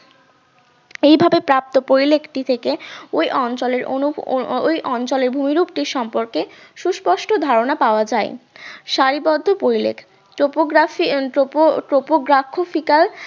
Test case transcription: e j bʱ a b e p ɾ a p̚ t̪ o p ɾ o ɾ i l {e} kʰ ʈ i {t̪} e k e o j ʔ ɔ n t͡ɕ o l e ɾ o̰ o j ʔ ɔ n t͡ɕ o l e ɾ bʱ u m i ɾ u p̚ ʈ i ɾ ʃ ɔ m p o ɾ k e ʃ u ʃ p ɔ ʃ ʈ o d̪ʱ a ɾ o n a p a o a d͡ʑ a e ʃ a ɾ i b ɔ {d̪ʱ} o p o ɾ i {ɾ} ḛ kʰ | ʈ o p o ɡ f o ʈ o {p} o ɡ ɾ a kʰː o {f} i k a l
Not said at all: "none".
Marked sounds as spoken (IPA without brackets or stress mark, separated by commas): e, t̪ʰ, d̪ʱː, l, p, f